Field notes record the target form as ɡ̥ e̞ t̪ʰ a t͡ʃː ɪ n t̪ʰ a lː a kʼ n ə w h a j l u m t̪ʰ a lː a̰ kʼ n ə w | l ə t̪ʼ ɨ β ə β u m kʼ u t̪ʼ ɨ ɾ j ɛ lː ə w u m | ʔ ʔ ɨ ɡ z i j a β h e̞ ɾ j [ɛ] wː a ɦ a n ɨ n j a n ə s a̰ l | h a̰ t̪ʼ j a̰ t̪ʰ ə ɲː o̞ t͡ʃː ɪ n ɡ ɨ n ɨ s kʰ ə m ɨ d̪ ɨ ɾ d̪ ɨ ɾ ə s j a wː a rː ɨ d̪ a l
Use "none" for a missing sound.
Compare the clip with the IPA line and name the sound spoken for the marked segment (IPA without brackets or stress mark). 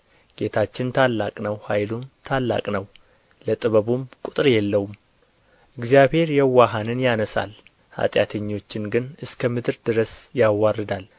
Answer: ɛ